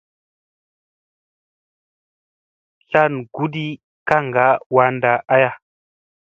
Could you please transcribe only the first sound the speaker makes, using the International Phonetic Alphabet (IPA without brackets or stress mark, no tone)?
ɬ